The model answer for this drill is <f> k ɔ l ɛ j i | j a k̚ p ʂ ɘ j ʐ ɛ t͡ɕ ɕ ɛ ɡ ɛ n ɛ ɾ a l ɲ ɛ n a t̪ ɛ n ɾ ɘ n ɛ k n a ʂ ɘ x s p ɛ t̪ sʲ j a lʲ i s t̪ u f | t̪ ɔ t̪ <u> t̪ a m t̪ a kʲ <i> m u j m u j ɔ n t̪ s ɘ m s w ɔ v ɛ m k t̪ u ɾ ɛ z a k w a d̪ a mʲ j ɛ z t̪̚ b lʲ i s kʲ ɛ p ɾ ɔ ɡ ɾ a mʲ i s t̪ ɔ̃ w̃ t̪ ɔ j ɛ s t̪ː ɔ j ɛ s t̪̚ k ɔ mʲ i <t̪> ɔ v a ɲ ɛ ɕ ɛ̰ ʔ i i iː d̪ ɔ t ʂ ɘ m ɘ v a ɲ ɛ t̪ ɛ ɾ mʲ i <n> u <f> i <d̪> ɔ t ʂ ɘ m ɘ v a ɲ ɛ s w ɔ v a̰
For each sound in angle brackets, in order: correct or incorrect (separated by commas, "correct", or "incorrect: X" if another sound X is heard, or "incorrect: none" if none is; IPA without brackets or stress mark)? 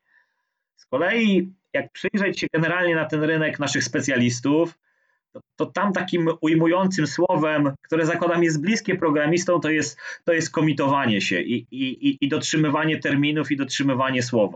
incorrect: s, incorrect: ɔ, correct, correct, correct, correct, correct